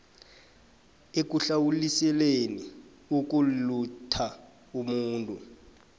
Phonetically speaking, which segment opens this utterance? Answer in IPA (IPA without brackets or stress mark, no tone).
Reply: e